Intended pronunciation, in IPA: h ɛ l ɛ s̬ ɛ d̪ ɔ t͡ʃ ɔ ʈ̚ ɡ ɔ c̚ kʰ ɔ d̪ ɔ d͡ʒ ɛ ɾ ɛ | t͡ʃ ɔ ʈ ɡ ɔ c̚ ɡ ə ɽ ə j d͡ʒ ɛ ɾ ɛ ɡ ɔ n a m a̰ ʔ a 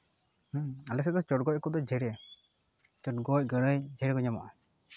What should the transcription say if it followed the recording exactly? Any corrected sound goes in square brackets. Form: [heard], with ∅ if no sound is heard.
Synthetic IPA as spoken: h [a] l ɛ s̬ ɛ d̪ ɔ t͡ʃ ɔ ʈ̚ ɡ ɔ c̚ [k] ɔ d̪ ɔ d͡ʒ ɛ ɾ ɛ | t͡ʃ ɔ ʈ ɡ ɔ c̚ ɡ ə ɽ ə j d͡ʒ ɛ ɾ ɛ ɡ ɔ [ɲ] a m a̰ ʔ a

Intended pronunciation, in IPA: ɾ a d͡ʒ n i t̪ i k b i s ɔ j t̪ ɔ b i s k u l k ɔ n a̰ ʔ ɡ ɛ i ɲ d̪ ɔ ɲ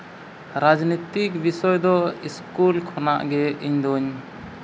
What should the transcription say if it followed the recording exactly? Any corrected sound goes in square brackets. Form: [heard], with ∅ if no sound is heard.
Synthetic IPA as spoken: ɾ a d͡ʒ n i t̪ i k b i s ɔ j [d̪] ɔ [∅] i s k u l [kʰ] ɔ n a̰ ʔ ɡ ɛ i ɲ d̪ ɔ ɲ

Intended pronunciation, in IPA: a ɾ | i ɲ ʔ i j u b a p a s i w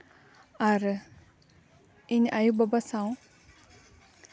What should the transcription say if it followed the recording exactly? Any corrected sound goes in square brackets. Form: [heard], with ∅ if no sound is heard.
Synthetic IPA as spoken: a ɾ | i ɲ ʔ [a] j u b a [b] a s [a] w

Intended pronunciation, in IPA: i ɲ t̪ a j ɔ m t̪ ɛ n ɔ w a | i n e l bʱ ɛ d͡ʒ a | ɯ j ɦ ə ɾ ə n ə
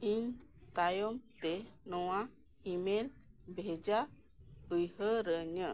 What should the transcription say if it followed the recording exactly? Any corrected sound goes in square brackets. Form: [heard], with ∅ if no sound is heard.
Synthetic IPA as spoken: i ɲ t̪ a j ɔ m t̪ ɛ n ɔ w a | i [m] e l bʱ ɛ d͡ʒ a | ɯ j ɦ ə ɾ ə [ɲ] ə

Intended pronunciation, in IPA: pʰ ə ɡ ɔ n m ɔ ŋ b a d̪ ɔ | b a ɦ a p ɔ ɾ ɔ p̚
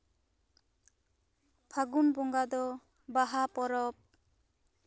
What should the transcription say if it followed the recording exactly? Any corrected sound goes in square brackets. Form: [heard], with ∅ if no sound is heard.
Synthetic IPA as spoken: pʰ [a] ɡ [u] n [b] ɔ ŋ [ɡ] a d̪ ɔ | b a ɦ a p ɔ ɾ ɔ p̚

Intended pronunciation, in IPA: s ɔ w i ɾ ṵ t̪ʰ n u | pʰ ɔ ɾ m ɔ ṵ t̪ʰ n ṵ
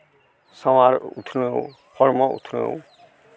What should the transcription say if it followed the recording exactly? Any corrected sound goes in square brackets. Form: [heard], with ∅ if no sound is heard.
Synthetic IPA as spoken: s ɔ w [a] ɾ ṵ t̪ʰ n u | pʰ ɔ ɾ m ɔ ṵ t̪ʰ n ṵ

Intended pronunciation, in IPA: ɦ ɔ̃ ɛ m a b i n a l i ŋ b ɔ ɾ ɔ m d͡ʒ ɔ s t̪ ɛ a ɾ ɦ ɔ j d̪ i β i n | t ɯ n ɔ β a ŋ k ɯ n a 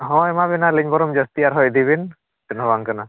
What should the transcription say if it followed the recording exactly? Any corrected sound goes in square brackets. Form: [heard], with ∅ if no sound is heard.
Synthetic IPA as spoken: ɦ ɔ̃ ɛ m a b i n a l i [ɲ] b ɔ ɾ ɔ m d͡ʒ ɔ s t̪ [i] a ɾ ɦ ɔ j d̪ i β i n | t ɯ n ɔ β a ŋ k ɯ n a

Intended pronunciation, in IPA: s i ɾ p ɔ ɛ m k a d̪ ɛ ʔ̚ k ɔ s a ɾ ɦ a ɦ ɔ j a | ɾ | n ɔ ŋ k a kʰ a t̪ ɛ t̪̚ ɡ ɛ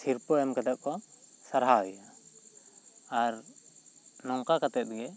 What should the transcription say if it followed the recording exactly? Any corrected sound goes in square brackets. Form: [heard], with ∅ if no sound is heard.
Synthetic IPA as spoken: s i ɾ p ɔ ɛ m k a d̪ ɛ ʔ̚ k ɔ s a ɾ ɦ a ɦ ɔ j a | ɾ | n ɔ ŋ k a [k] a t̪ ɛ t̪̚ ɡ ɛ

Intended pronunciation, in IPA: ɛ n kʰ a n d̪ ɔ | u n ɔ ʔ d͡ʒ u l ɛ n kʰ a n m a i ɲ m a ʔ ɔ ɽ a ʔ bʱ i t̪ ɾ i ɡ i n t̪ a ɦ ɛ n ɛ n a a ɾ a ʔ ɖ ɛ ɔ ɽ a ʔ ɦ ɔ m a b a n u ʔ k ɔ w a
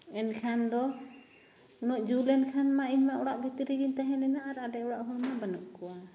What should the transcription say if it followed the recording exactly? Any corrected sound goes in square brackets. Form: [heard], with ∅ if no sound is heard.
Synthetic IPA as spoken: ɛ n kʰ a n d̪ ɔ | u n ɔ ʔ d͡ʒ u l ɛ n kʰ a n m a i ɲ m a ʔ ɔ ɽ a ʔ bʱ i t̪ ɾ i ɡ i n t̪ a ɦ ɛ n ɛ n a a ɾ a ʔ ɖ ɛ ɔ ɽ a ʔ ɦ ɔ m a b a n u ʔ k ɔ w a

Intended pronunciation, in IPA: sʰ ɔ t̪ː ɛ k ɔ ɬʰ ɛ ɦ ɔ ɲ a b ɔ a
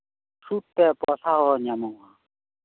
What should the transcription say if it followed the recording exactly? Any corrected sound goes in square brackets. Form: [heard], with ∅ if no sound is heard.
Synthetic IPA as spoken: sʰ [u] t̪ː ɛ [p] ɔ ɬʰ [a] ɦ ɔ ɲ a [m] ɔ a

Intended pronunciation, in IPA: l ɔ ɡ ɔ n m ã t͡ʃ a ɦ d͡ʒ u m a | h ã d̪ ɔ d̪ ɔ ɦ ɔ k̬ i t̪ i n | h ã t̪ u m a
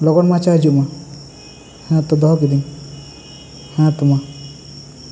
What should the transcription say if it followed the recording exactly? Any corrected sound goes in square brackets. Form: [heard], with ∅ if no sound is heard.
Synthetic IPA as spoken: l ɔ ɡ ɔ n m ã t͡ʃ a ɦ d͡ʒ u m a | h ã [t̪] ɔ d̪ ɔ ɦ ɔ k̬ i [d̪] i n | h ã t̪ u m a

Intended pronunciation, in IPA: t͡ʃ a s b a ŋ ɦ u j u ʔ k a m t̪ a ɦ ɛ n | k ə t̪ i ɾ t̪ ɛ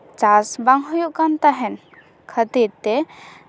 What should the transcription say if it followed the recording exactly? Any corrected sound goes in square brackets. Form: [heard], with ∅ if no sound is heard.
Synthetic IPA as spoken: t͡ʃ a s b a ŋ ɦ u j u ʔ k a [n] t̪ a ɦ ɛ n | [kʰ] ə t̪ i ɾ t̪ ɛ

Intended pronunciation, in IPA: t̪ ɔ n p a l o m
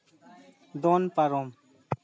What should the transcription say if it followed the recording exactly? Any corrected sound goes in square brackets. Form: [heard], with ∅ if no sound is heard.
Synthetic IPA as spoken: [d̪] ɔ n p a [ɾ] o m

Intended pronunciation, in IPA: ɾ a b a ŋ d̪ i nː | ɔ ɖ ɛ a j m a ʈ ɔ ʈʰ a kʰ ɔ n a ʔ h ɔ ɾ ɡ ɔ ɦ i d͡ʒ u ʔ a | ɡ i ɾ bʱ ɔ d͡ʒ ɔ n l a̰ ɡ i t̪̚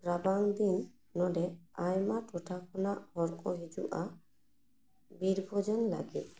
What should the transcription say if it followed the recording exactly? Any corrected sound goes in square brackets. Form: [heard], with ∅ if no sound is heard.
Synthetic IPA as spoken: ɾ a b a ŋ d̪ i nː | ɔ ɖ ɛ a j m a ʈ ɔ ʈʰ a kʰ ɔ n a ʔ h ɔ ɾ [k] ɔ ɦ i d͡ʒ u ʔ a | [b] i ɾ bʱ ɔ d͡ʒ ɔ n l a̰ ɡ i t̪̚

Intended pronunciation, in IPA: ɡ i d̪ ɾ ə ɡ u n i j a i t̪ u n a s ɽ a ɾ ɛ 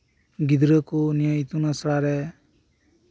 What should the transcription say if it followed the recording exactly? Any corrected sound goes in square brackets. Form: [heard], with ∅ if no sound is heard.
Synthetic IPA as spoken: ɡ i d̪ ɾ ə [k] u n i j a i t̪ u n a s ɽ a ɾ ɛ

